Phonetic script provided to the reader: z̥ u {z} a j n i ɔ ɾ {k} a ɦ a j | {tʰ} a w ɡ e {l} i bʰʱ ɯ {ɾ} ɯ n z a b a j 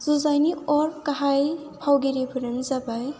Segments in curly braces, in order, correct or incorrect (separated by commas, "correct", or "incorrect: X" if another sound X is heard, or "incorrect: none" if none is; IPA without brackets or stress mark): correct, correct, incorrect: pʰ, incorrect: ɾ, correct